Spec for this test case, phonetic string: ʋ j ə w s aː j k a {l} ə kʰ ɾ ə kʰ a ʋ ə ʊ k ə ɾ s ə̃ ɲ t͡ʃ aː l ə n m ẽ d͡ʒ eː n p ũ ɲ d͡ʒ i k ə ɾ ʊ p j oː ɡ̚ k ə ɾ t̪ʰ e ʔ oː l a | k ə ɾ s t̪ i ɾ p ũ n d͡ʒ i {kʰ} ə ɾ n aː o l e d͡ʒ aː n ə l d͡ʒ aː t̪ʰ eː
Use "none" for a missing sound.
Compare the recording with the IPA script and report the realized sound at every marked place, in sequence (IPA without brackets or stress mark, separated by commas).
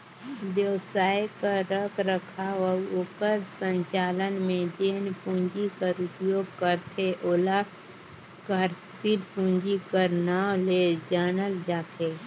ɾ, k